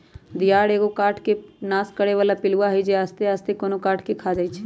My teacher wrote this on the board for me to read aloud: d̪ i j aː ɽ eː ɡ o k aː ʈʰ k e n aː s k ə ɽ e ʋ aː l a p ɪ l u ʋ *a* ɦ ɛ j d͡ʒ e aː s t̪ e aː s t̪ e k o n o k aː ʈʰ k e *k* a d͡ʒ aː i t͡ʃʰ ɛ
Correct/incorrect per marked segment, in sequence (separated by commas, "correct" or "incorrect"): correct, incorrect